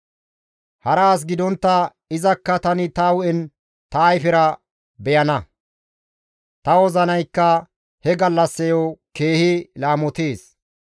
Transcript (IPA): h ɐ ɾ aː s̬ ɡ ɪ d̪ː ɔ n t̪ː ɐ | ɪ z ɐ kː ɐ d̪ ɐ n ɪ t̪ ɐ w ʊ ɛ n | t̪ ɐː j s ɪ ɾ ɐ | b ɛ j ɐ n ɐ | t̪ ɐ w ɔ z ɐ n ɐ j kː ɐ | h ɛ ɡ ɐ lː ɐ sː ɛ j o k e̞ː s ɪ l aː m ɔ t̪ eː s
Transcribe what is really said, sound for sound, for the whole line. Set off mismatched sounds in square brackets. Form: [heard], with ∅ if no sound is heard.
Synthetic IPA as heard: h ɐ ɾ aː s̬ ɡ ɪ [d̪] ɔ n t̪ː ɐ | ɪ z ɐ kː ɐ [t̪] ɐ n ɪ t̪ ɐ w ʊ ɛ n | t̪ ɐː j [f] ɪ ɾ ɐ | b ɛ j ɐ n ɐ | t̪ ɐ w ɔ z ɐ n ɐ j kː ɐ | h ɛ ɡ ɐ lː ɐ sː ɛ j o k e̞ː [h] ɪ l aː m ɔ t̪ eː s